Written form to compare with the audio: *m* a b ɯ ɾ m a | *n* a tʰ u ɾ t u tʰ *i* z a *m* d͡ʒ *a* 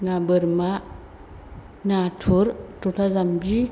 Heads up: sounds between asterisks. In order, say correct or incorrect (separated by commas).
incorrect, correct, incorrect, correct, incorrect